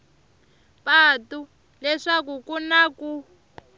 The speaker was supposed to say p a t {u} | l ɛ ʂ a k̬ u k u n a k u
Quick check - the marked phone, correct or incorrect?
correct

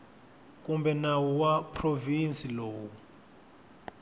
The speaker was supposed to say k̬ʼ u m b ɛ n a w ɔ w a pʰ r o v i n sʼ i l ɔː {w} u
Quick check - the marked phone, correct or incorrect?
correct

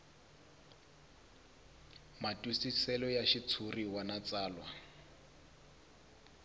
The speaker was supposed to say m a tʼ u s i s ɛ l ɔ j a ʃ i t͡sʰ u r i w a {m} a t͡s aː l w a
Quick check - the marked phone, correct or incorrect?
incorrect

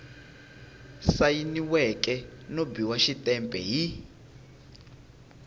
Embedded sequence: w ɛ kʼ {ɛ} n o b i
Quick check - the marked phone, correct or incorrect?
correct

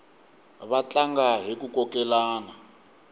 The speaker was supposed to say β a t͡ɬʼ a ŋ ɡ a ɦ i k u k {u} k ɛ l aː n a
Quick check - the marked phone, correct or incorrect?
incorrect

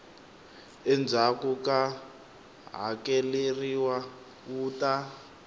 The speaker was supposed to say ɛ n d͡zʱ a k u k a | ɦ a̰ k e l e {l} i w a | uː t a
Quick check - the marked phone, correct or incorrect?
incorrect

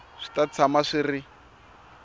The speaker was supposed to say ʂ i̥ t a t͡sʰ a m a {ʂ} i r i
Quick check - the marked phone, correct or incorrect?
correct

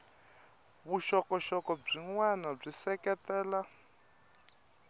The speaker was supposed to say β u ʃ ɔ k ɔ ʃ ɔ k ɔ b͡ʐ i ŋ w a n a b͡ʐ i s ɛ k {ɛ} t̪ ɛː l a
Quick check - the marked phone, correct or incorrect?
correct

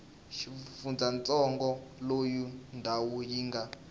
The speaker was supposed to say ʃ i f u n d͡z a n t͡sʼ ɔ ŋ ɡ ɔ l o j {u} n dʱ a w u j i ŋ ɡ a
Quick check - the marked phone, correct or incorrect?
correct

